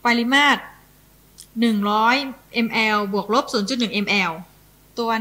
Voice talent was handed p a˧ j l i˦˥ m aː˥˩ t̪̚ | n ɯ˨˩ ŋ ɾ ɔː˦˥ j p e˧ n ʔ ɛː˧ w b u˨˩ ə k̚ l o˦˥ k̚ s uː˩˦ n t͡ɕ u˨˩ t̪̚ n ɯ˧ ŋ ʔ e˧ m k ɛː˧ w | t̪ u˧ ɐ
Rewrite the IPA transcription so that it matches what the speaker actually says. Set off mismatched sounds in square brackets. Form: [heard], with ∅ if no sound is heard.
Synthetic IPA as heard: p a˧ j l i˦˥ m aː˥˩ t̪̚ | n ɯ˨˩ ŋ ɾ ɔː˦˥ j [ʔ] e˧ [m] ʔ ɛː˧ w b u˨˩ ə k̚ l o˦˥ [p̚] s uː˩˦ n t͡ɕ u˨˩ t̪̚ n [ɯ˨˩] ŋ ʔ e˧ m [ʔ] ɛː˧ w | t̪ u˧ ɐ